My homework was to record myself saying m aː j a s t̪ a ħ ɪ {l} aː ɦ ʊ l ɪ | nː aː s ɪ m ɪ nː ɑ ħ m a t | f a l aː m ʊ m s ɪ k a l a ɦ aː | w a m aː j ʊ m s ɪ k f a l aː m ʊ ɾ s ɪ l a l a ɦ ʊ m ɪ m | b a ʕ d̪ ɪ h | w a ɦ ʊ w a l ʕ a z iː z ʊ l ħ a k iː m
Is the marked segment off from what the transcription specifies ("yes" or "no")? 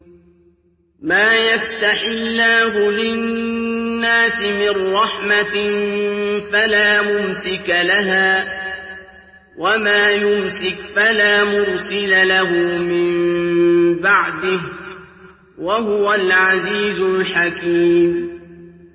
yes